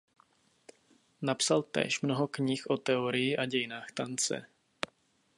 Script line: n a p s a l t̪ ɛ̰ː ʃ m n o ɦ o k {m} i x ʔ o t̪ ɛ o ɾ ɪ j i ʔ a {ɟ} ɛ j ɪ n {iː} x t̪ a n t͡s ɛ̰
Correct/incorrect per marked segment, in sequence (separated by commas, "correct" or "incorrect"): incorrect, correct, incorrect